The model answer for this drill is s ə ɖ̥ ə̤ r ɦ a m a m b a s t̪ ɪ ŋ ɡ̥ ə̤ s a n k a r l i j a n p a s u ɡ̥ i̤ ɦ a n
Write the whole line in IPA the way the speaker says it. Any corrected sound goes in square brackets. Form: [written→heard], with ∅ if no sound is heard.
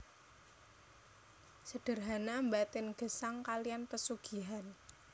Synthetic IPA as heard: s ə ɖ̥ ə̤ r ɦ a [m→n] a m b a [s→∅] t̪ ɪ [ŋ→n] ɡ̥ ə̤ s a [n→ŋ] k a [r→∅] l i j a n p [a→ə] s u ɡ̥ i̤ ɦ a n